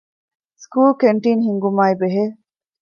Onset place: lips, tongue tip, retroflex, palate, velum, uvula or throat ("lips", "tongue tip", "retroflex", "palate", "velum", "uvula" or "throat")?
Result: tongue tip